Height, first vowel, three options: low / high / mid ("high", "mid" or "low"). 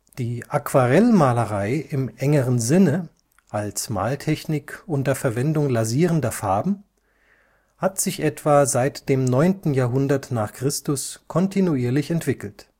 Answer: high